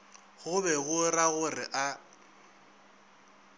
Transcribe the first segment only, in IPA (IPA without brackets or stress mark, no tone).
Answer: ɣ